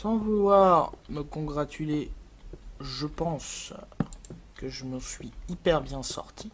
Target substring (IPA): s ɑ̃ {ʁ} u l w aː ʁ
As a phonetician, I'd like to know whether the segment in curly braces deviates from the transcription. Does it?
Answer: yes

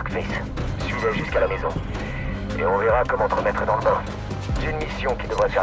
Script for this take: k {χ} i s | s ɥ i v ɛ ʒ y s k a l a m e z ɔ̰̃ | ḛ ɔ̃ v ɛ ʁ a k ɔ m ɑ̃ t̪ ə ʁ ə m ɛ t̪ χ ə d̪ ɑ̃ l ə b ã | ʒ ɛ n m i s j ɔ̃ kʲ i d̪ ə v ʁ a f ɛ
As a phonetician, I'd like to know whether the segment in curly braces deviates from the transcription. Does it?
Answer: yes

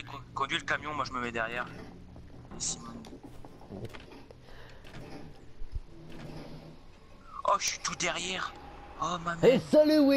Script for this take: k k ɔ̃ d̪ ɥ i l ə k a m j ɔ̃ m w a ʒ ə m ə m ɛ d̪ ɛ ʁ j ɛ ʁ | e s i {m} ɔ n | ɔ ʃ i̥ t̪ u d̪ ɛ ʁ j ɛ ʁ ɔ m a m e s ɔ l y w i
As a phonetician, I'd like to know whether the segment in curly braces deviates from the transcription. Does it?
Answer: no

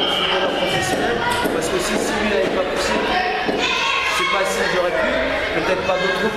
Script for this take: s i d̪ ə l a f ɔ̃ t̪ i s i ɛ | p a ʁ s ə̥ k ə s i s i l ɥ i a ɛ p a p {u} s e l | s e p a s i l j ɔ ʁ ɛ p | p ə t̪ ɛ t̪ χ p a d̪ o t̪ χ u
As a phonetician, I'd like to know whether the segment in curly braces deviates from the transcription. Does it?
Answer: no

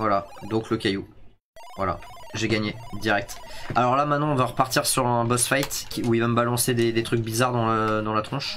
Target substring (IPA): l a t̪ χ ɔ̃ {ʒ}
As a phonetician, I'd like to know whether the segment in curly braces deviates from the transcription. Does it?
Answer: yes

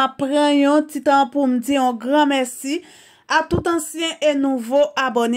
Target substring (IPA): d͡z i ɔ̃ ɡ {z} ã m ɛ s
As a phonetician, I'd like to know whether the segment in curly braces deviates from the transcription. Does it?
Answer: yes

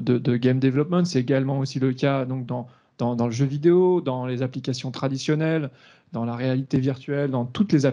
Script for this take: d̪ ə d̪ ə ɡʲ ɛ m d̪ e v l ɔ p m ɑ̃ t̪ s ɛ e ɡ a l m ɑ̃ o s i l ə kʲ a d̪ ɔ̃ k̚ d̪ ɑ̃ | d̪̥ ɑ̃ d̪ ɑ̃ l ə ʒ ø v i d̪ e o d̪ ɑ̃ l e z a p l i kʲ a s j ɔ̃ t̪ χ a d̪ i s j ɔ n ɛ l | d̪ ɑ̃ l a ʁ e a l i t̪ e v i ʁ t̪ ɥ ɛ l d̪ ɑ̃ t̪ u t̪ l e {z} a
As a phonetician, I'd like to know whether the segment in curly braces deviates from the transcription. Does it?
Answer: no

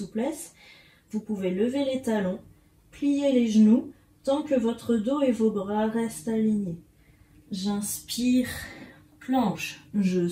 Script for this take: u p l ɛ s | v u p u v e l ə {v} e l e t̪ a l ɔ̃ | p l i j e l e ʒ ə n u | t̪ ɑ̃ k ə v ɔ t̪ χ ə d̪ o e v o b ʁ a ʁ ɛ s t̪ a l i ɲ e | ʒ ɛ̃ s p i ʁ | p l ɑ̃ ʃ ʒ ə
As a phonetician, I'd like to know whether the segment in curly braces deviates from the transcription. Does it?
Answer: no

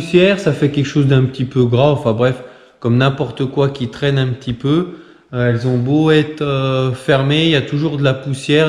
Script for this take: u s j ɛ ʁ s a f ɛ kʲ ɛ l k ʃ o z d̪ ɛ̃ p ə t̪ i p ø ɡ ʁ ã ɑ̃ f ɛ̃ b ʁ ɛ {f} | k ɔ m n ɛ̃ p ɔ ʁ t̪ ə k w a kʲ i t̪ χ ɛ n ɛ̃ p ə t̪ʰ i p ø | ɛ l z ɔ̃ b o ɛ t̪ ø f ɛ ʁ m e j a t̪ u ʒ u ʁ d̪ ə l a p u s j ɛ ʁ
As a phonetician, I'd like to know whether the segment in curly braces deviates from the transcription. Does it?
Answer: no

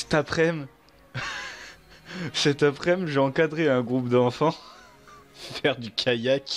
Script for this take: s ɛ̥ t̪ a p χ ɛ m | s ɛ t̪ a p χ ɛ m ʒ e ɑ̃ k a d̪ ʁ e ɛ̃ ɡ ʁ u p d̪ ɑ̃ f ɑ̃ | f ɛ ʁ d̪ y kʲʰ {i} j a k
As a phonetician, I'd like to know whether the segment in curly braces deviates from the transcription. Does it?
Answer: yes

